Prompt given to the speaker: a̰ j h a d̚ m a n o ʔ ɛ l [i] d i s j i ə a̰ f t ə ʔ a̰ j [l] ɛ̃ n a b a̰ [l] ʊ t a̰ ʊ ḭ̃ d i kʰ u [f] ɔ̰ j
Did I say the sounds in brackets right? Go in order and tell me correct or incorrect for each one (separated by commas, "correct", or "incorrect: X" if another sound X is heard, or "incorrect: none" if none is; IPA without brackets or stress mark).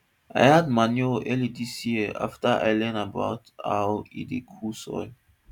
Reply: correct, correct, incorrect: none, incorrect: s